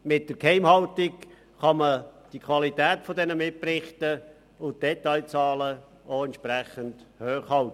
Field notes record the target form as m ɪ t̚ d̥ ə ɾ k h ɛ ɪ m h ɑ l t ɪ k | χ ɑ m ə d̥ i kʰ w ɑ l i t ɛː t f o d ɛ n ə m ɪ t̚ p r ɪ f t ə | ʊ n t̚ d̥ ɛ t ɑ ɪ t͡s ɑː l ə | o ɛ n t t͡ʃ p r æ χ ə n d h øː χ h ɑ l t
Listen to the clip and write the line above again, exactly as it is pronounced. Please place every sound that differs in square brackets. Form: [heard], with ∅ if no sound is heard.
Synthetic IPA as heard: m ɪ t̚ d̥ ə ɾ k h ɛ ɪ m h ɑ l t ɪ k | χ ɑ m ə d̥ i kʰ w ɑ l i t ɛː t f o d ɛ n ə m ɪ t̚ p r ɪ [χ] t ə | ʊ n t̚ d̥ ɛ t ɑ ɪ t͡s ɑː l ə | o ɛ n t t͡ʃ p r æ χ ə n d h øː χ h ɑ l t